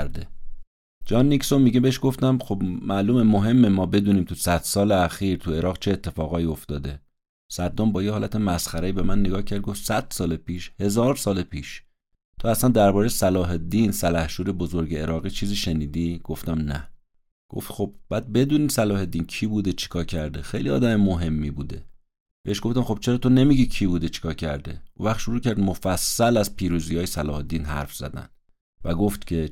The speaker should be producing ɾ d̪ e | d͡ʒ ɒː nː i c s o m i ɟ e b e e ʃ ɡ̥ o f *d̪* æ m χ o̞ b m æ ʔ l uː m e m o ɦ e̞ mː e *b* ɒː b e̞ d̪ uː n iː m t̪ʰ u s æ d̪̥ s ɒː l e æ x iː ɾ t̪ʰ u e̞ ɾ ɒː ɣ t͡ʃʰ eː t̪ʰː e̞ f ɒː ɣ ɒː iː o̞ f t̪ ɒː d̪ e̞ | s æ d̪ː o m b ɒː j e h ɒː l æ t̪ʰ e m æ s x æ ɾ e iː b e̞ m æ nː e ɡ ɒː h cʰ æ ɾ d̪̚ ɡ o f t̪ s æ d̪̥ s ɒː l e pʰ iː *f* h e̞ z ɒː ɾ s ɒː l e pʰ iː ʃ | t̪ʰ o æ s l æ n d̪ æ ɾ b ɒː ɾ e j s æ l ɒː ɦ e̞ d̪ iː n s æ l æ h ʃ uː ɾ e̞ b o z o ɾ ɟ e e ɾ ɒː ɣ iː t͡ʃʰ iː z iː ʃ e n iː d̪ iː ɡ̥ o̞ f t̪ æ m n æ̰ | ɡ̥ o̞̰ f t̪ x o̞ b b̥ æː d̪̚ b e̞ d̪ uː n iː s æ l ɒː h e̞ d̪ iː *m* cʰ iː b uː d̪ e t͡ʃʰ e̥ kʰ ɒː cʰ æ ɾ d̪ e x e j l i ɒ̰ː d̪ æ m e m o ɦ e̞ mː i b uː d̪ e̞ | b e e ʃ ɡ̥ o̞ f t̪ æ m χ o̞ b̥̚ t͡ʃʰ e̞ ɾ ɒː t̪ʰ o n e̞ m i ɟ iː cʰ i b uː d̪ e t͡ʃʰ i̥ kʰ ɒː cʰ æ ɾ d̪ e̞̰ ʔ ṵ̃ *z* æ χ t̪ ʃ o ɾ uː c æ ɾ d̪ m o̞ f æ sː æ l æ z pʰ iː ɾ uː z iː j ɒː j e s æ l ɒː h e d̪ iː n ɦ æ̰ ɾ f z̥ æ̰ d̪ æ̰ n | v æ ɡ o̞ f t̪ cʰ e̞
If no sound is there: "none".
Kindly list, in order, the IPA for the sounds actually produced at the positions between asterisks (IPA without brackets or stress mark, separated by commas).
t̪, m, ʃ, n, v